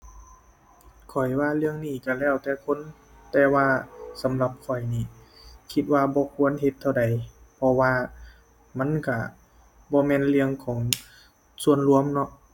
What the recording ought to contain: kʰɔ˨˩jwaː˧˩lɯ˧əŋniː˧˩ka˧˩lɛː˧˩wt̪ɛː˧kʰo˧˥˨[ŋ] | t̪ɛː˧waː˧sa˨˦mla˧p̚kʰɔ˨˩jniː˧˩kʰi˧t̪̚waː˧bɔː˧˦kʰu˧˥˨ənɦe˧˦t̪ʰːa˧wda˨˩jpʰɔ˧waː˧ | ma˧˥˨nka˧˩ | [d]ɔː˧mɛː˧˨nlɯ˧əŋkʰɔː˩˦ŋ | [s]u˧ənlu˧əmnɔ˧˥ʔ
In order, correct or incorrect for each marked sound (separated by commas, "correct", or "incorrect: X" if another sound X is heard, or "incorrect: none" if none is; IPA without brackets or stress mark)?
incorrect: n, incorrect: b, correct